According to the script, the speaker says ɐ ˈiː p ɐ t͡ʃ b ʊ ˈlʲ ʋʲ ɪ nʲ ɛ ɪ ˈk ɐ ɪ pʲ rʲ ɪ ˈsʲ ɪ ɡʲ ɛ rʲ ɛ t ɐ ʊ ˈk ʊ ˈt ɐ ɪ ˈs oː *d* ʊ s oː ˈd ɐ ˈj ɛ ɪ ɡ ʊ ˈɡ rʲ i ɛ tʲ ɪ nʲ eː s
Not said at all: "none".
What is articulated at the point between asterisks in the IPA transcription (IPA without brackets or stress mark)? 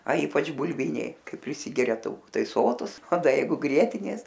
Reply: t